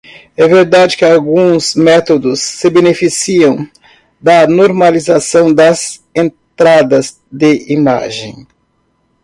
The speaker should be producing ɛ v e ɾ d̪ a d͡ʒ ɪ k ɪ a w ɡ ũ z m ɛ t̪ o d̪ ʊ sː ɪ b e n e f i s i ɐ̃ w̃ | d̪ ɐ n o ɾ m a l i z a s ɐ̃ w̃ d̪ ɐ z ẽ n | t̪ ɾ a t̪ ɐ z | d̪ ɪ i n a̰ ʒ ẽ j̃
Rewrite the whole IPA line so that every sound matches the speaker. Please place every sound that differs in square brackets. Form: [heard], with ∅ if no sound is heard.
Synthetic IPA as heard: ɛ v e ɾ d̪ a d͡ʒ ɪ k ɪ a w ɡ ũ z m ɛ t̪ o d̪ ʊ sː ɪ b e n e f i s i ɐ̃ w̃ | d̪ ɐ n o ɾ m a l i z a s ɐ̃ w̃ d̪ ɐ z ẽ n | t̪ ɾ a [d̪] ɐ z | d̪ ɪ i [m] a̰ ʒ ẽ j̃